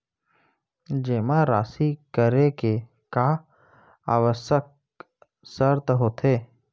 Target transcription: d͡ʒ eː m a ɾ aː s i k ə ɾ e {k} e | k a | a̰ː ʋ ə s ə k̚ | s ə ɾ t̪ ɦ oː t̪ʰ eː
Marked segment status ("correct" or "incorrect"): correct